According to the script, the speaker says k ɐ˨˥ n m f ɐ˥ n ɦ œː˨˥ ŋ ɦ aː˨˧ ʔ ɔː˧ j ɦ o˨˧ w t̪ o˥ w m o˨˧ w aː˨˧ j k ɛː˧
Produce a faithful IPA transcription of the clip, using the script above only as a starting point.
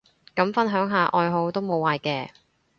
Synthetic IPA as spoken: k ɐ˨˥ m f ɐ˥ n ɦ œː˨˥ ŋ ɦ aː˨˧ ʔ ɔː˧ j ɦ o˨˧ w t̪ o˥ w m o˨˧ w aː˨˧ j k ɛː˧